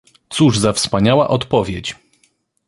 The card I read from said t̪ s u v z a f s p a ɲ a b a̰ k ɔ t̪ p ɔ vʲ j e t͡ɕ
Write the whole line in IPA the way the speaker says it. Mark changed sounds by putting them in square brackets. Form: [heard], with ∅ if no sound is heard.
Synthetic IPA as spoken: t̪ s u [ʐ] z a f s p a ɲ a [w] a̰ [ʔ] ɔ t̪ p ɔ vʲ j e t͡ɕ